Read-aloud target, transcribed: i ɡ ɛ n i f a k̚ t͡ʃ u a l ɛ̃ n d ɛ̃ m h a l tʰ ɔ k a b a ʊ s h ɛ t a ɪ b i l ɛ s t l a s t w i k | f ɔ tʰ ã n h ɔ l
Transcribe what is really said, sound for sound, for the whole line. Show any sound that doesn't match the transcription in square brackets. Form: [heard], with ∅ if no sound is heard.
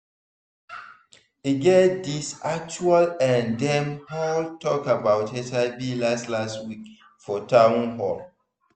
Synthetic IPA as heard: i ɡ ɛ [d] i [s] a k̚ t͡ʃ u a l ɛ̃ n d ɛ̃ m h a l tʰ ɔ k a b a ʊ [t] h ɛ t a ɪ b i l [a] s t l a s t w i k | f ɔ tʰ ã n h ɔ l